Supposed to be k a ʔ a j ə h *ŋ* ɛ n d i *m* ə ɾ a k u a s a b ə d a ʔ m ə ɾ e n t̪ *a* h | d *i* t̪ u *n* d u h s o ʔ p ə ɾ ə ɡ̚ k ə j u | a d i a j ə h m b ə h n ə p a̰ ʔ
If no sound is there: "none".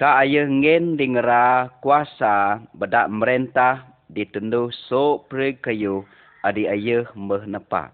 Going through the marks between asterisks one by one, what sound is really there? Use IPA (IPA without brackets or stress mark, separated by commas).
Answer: ŋ, ŋ, a, i, n